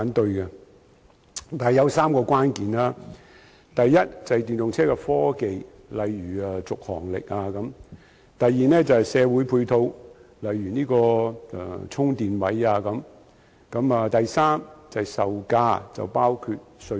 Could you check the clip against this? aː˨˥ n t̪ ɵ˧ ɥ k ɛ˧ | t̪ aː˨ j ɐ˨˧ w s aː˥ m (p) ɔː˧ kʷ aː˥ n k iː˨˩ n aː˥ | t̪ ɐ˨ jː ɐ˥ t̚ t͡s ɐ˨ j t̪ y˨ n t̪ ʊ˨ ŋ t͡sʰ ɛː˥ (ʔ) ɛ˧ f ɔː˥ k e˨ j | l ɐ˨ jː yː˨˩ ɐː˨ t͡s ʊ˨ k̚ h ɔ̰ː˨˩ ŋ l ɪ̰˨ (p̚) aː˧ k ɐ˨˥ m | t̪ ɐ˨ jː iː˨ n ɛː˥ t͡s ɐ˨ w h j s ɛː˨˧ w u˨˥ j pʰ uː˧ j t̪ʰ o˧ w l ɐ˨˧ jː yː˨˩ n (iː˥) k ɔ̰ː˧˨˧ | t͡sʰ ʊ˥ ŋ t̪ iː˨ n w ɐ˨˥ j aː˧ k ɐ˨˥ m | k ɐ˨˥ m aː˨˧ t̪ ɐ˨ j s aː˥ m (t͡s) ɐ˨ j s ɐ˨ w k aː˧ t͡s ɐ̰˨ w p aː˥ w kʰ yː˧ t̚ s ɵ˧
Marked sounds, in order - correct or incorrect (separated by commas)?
incorrect, incorrect, incorrect, correct, correct